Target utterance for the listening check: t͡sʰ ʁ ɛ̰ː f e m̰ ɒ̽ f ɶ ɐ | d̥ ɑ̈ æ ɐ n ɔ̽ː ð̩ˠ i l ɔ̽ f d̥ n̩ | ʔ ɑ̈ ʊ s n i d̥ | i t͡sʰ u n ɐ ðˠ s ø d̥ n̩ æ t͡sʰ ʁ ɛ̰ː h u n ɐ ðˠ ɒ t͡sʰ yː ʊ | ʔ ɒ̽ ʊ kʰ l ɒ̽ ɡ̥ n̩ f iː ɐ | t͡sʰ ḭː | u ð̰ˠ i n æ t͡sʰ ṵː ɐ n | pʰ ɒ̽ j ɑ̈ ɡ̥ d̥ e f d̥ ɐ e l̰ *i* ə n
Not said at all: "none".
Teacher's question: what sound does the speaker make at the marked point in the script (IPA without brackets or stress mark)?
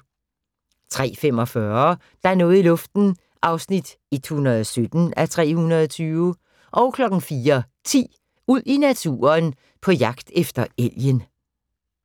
j